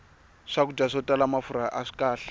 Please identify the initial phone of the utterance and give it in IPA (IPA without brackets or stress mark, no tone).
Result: ʂ